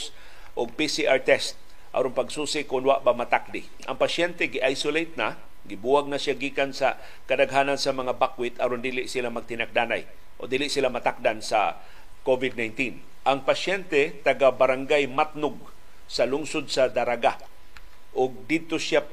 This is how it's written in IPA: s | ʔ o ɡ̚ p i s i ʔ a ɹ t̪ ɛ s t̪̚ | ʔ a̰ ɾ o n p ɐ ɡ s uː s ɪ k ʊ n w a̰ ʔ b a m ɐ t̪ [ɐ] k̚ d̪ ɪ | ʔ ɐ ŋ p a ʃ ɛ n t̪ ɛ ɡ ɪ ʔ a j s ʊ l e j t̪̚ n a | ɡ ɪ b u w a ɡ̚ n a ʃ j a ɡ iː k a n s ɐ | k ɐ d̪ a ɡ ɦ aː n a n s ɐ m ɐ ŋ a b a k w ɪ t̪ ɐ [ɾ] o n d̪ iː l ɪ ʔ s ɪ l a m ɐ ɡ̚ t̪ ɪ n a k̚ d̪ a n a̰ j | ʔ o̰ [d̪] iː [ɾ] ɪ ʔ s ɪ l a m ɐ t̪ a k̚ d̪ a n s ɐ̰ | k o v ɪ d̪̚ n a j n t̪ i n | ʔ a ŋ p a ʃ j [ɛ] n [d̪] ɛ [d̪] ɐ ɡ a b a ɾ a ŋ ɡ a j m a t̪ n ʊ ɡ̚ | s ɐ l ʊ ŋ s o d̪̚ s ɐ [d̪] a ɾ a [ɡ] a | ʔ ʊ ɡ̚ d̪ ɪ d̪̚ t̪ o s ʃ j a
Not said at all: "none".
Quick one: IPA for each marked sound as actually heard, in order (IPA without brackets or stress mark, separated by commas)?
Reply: a, ɾ, d̪, l, ɛ, t̪, t̪, d̪, ɡ